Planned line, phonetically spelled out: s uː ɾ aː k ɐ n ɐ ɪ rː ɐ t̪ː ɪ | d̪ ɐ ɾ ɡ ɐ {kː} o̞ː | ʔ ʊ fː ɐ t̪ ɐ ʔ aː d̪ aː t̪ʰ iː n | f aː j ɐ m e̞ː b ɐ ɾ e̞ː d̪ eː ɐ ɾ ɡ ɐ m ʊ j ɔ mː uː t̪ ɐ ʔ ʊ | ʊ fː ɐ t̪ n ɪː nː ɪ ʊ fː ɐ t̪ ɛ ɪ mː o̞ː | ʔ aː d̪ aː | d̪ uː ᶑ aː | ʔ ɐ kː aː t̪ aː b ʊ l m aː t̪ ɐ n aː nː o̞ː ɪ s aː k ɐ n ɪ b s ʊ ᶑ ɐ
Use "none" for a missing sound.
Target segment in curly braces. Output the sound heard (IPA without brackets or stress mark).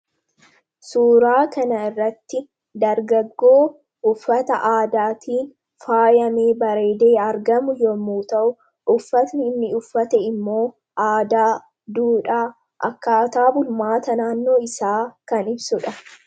ɡː